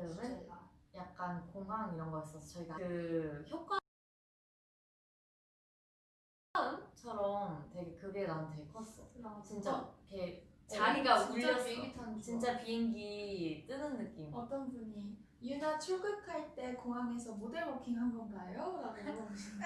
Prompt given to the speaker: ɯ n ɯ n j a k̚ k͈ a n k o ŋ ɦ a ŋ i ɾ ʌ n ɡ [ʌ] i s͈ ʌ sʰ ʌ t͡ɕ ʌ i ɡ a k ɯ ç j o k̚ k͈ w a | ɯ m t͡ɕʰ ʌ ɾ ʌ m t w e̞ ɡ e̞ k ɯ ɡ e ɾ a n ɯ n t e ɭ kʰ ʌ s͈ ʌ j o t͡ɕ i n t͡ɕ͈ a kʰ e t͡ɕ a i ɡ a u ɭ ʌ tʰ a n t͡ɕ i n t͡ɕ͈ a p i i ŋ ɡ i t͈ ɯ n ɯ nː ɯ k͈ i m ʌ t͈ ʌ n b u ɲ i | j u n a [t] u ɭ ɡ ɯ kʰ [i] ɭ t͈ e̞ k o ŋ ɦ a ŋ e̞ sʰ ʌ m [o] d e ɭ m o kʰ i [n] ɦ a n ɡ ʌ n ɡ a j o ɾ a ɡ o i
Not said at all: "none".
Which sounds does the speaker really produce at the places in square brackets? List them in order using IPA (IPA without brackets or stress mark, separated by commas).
ʌ, t͡ɕʰ, a, o, ŋ